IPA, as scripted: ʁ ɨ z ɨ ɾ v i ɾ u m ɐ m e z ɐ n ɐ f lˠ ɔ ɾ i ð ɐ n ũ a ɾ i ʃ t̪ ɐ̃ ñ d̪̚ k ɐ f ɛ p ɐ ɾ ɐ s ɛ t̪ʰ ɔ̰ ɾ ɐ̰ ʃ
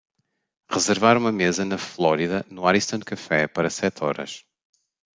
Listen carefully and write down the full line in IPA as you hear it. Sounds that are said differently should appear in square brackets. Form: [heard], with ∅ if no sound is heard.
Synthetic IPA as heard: ʁ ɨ z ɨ ɾ v [a] ɾ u m ɐ m e z ɐ n ɐ f lˠ ɔ ɾ i ð ɐ n [u] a ɾ i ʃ t̪ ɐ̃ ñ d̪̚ k ɐ f ɛ p ɐ ɾ ɐ s ɛ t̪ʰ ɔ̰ ɾ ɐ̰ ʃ